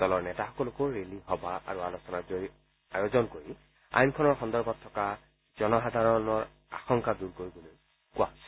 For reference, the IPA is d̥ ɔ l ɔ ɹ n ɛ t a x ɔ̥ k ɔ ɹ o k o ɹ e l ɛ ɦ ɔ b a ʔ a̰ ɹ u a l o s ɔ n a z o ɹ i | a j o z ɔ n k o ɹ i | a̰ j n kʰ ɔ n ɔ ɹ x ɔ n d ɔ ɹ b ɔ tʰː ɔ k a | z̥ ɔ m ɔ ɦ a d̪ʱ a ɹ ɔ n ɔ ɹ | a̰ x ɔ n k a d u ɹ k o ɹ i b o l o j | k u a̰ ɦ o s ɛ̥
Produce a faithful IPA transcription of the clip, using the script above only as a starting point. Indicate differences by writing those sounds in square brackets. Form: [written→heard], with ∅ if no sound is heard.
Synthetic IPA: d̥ ɔ l ɔ ɹ n ɛ t a x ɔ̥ k ɔ [ɹ→l] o k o ɹ e l [ɛ→i] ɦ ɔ b a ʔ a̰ ɹ u a l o s ɔ n a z o ɹ i | a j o z ɔ n k o ɹ i | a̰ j n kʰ ɔ n ɔ ɹ x ɔ n d ɔ ɹ b ɔ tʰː ɔ k a | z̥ ɔ [m→n] ɔ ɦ a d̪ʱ a ɹ ɔ n ɔ ɹ | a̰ x ɔ [n→ŋ] k a d u ɹ k o ɹ i b o l o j | k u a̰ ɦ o s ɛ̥

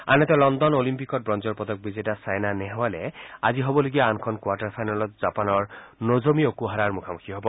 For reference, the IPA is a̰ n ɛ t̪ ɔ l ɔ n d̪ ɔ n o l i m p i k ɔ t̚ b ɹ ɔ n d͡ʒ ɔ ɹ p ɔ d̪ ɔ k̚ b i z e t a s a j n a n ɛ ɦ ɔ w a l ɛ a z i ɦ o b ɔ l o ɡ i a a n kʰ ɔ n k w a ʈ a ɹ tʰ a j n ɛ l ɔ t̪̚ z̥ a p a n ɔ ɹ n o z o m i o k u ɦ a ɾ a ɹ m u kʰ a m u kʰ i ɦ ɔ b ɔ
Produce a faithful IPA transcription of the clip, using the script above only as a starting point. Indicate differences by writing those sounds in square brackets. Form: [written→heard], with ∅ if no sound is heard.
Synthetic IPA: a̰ n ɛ t̪ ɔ l ɔ n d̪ ɔ n o l i m p i k ɔ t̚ b ɹ ɔ n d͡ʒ ɔ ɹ p ɔ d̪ ɔ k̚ b i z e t a s a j n a n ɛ ɦ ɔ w a l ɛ a z i ɦ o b ɔ l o ɡ i a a n kʰ ɔ n k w a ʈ a ɹ [tʰ→pʰ] a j n [ɛ→a] l ɔ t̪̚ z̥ a p a n ɔ ɹ n o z o m i o k u ɦ a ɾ a ɹ m u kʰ a m u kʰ i ɦ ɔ b ɔ

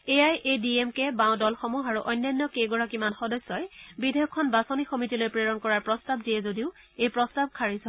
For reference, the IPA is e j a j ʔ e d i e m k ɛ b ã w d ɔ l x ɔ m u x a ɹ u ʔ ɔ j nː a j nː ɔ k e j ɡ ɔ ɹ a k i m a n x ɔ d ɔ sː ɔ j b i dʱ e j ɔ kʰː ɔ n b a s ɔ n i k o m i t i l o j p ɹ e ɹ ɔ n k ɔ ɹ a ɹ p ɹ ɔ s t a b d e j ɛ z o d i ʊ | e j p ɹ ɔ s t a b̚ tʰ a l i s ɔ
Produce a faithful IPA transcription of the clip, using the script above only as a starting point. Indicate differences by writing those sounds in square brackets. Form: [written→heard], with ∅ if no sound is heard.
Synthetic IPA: e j a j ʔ e d i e m k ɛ b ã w d ɔ l x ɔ m u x a ɹ u ʔ ɔ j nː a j nː ɔ k e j ɡ ɔ ɹ a k i m a n x ɔ d ɔ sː ɔ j b i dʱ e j ɔ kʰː ɔ n b a s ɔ n i [k→x] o m i t i l o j p ɹ e ɹ ɔ n k ɔ ɹ a ɹ p ɹ ɔ s t a b d [e→i] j ɛ z o d i ʊ | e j p ɹ ɔ s t a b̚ [tʰ→kʰ] a [l→ɹ] i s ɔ

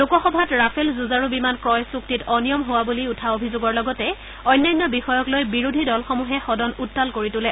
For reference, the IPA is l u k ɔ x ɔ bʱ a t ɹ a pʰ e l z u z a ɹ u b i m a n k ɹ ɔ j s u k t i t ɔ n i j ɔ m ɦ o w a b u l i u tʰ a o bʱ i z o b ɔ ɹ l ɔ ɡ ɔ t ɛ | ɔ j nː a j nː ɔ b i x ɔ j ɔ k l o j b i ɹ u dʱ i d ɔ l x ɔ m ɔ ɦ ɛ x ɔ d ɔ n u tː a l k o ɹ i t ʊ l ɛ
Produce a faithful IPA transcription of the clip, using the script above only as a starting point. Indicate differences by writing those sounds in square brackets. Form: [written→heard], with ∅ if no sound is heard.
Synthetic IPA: l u k ɔ x ɔ bʱ a t ɹ a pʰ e l z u z a ɹ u b i m a n k ɹ ɔ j s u k t i t ɔ n i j ɔ m ɦ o w a b u l i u tʰ a o bʱ i z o [b→ɡ] ɔ ɹ l ɔ ɡ ɔ t ɛ | ɔ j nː a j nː ɔ b i x ɔ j ɔ k l o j b i ɹ u dʱ i d ɔ l x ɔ m [ɔ→u] ɦ ɛ x ɔ d ɔ n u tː a l k o ɹ i t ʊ l ɛ

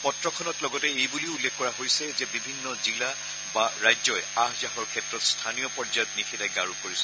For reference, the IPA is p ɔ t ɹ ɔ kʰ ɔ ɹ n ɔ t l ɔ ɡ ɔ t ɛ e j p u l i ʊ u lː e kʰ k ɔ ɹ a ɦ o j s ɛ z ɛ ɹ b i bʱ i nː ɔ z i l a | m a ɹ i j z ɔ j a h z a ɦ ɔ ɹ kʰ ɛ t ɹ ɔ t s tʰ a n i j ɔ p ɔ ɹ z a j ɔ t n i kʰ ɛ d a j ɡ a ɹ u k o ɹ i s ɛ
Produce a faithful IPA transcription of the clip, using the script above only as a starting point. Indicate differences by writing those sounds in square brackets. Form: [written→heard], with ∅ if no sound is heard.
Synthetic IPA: p ɔ t ɹ ɔ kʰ ɔ [ɹ→∅] n ɔ t l ɔ ɡ ɔ t ɛ e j [p→b] u l i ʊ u lː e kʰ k ɔ ɹ a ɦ o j s ɛ z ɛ [ɹ→∅] b i bʱ i nː ɔ z i l a | [m→b] a ɹ [i→a] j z ɔ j a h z a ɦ ɔ ɹ kʰ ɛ t ɹ ɔ t s tʰ a n i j ɔ p ɔ ɹ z a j ɔ t n i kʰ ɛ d a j ɡ a ɹ u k o ɹ i s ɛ

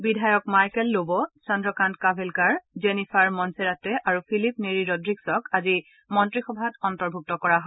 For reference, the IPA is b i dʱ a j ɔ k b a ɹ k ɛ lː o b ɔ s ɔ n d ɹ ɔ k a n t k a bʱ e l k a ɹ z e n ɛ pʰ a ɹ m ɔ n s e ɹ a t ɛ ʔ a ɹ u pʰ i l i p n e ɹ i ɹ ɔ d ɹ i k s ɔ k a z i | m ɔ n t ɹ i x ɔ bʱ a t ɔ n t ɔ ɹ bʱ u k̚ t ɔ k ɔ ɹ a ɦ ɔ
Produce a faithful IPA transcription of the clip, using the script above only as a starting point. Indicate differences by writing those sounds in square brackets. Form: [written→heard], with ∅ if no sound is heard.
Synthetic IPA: b i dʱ a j ɔ k [b→m] a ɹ k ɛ lː o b ɔ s ɔ n d ɹ ɔ k a n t k a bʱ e l k a ɹ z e n [ɛ→i] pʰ a ɹ m ɔ n s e ɹ a t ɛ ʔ a ɹ u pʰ i l i p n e ɹ i ɹ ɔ d ɹ i k s ɔ k a z i | m ɔ n t ɹ i x ɔ bʱ a t ɔ n t ɔ ɹ bʱ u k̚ t ɔ k ɔ ɹ a ɦ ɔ

